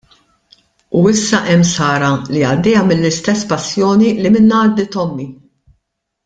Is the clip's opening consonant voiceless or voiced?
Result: voiceless